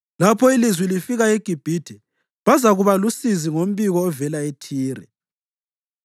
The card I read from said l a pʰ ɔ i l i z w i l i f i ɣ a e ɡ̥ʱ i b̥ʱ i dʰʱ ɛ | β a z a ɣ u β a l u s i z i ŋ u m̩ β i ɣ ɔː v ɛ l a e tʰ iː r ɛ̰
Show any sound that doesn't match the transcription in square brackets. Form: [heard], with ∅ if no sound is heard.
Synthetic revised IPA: l a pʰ ɔ i l i z w i l i f i ɣ a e ɡ̥ʱ i b̥ʱ i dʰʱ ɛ | β a z a ɣ u β a l u s i z i ŋ [o] m̩ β i ɣ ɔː v ɛ l a e tʰ iː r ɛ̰